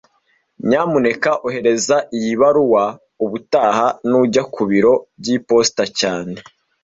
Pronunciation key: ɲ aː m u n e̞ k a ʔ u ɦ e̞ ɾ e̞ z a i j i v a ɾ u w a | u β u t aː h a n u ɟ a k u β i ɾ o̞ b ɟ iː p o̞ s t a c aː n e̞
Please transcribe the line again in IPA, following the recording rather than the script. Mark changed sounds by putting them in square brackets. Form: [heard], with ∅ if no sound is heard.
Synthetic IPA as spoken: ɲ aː m u n e̞ k a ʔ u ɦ e̞ ɾ e̞ z a i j i [β] a ɾ u w a | u β u t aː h a n u ɟ a k u β i ɾ o̞ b ɟ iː p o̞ s t a c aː n e̞